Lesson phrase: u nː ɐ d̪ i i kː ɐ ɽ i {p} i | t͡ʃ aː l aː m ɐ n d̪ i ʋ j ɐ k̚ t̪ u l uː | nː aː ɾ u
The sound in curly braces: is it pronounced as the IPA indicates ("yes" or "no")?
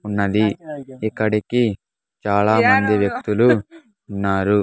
no